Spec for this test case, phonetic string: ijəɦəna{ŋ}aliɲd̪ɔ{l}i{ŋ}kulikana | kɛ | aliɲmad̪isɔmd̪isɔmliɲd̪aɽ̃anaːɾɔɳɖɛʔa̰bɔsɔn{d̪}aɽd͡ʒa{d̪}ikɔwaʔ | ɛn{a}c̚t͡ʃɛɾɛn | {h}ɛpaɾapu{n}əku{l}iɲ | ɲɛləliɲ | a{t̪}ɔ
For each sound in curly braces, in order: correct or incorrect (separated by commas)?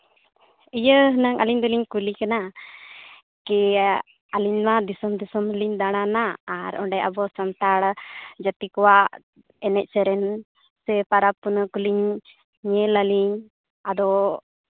correct, correct, incorrect, incorrect, incorrect, incorrect, incorrect, correct, correct, incorrect